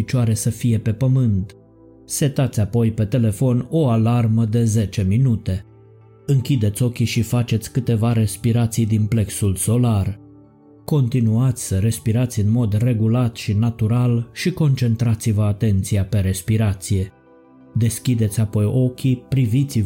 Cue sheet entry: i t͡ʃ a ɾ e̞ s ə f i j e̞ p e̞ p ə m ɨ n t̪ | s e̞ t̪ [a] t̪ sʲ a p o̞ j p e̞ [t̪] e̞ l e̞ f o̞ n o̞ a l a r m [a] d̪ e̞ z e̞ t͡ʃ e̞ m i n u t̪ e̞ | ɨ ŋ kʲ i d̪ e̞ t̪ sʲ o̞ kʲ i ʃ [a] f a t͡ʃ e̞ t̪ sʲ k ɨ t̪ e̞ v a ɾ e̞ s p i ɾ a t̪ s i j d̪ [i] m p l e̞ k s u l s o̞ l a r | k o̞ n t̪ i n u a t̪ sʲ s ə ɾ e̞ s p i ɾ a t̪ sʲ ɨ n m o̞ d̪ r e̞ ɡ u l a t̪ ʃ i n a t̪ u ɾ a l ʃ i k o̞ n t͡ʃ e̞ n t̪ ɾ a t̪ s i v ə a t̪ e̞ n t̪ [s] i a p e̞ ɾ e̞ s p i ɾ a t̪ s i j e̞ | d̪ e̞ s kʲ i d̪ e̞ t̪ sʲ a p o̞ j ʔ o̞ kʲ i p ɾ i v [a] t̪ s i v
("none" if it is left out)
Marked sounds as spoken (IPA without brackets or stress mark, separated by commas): a, t̪, ə, i, i, s, i